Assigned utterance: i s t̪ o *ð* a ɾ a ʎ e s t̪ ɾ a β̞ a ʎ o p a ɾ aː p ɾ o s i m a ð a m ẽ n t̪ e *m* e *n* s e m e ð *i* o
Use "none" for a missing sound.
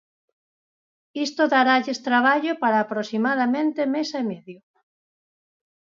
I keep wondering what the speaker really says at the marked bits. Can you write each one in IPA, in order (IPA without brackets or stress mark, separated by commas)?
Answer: ð, m, none, j